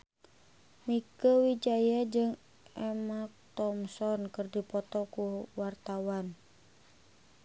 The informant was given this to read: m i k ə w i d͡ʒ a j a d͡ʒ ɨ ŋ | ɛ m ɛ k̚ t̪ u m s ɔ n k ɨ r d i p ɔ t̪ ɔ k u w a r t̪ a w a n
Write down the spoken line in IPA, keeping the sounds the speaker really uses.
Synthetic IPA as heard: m i k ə w i d͡ʒ a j a d͡ʒ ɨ ŋ | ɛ m a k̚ t̪ ɔ m s ɔ n k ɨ r d i p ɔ t̪ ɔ k u w a r t̪ a w a n